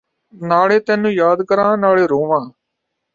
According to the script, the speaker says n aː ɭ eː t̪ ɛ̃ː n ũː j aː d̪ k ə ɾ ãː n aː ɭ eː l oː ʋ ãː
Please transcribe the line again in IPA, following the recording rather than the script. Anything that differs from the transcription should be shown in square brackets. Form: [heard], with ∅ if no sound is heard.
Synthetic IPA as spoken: n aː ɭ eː t̪ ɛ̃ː n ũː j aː d̪ k ə ɾ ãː n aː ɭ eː [ɾ] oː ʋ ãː